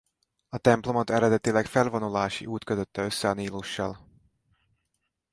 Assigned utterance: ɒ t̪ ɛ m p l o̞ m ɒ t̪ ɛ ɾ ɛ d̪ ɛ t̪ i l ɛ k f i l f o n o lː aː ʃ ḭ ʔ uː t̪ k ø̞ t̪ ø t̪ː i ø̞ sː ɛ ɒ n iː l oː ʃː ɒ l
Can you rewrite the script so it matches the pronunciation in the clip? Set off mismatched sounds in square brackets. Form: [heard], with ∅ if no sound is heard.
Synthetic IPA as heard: ɒ t̪ ɛ m p l o̞ m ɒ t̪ ɛ ɾ ɛ d̪ ɛ t̪ i l ɛ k f [ɛ] l [v] o n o [l] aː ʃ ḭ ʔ uː t̪ k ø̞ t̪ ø t̪ː [ɛ] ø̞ sː ɛ ɒ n iː l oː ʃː ɒ l